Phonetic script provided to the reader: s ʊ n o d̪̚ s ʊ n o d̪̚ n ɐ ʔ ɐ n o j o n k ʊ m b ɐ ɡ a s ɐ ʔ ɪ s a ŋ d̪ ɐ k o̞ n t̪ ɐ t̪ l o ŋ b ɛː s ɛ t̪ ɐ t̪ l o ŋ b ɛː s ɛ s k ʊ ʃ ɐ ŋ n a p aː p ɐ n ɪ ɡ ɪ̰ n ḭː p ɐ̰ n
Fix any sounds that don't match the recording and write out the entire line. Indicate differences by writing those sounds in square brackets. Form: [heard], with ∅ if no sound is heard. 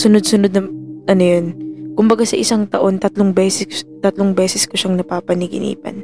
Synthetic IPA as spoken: s ʊ n o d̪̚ s ʊ n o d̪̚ n ɐ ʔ ɐ n o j o n k ʊ m b ɐ ɡ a s ɐ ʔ ɪ s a ŋ [t̪] ɐ [ʔ] o̞ n t̪ ɐ t̪ l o ŋ b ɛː s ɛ t̪ ɐ t̪ l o ŋ b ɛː s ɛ s k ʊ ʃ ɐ ŋ n [ɐ] p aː p ɐ n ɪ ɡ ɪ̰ n ḭː p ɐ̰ n